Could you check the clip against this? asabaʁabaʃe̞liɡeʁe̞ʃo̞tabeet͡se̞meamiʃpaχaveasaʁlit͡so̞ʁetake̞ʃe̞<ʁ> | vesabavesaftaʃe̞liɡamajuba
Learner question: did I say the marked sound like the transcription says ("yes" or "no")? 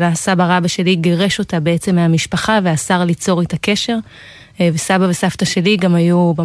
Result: yes